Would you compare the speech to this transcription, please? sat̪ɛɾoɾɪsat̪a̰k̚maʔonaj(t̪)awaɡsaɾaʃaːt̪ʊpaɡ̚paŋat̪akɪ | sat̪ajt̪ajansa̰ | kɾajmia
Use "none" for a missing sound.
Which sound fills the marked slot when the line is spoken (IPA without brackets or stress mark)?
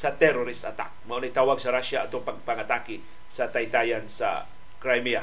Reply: t̪